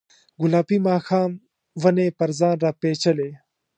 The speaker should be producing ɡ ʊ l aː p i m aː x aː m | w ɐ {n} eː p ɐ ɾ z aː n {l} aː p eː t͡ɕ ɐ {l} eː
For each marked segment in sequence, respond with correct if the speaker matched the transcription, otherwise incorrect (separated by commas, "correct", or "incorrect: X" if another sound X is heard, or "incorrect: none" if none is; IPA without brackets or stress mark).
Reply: correct, incorrect: ɾ, correct